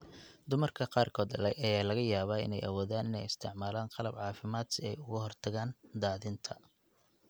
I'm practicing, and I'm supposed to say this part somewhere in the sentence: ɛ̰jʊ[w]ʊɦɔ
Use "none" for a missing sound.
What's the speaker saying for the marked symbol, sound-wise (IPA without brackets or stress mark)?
ɣ